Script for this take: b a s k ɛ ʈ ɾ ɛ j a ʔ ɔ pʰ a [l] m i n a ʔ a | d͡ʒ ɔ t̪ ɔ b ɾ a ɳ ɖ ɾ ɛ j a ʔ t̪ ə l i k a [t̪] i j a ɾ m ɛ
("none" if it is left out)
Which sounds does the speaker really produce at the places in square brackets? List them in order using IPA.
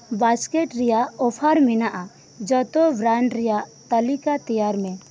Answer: ɾ, t̪

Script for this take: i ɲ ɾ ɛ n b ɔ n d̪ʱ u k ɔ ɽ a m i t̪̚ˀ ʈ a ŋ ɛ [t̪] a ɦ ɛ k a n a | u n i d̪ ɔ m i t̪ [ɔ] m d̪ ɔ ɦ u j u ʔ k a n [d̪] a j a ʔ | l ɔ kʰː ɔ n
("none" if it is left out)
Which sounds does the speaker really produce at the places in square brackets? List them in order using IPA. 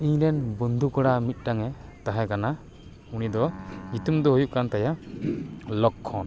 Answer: t̪, u, t̪

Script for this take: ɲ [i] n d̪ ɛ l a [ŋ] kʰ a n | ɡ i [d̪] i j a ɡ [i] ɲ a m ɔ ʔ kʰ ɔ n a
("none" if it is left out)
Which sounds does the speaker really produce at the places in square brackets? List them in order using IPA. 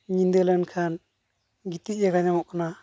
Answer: i, n, t̪, a

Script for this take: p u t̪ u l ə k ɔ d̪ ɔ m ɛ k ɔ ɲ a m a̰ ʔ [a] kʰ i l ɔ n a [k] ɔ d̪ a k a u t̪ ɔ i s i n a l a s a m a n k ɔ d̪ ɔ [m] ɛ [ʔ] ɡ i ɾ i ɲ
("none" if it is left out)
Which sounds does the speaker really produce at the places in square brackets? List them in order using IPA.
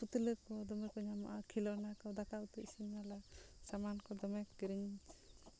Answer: a, k, m, k

